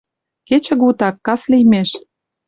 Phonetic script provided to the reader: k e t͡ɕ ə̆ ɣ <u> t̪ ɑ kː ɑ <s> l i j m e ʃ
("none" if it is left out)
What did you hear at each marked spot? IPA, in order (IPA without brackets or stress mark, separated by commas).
u, s